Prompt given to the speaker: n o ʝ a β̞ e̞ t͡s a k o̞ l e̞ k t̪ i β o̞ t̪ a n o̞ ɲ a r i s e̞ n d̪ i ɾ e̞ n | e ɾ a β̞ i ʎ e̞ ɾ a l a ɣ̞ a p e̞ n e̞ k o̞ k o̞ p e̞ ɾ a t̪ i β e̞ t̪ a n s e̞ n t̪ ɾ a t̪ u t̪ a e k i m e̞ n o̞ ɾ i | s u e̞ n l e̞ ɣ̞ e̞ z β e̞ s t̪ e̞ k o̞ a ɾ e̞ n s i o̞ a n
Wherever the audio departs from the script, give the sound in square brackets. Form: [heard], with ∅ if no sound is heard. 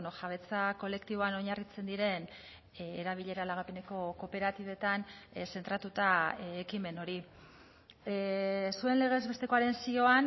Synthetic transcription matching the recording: n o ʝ a β̞ e̞ t͡s a k o̞ l e̞ k t̪ i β o̞ [∅] a n o̞ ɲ a r i [t͡s] e̞ n d̪ i ɾ e̞ n | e ɾ a β̞ i ʎ e̞ ɾ a l a ɣ̞ a p e̞ n e̞ k o̞ k o̞ p e̞ ɾ a t̪ i β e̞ t̪ a n s e̞ n t̪ ɾ a t̪ u t̪ a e k i m e̞ n o̞ ɾ i | s u e̞ n l e̞ ɣ̞ e̞ z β e̞ s t̪ e̞ k o̞ a ɾ e̞ n s i o̞ a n